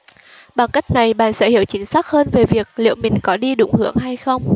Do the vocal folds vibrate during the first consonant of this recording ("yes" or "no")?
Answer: yes